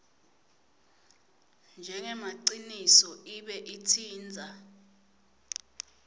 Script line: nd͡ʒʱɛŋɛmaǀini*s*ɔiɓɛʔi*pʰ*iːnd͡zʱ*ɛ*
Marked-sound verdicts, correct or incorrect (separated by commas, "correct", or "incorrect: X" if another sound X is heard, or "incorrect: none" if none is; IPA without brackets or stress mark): correct, incorrect: tʰ, incorrect: a